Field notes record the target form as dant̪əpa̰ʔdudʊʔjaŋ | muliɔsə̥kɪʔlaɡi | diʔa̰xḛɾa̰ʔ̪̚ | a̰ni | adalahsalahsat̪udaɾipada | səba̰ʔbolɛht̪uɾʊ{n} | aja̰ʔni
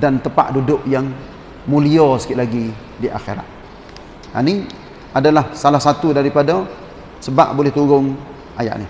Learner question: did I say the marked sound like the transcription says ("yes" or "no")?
no